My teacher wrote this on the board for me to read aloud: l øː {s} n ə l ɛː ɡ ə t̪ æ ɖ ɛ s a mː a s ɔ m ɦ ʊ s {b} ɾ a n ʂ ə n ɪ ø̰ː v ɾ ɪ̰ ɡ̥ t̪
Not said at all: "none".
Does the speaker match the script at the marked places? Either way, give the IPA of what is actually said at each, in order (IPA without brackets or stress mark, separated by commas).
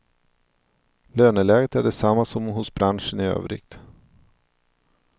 none, b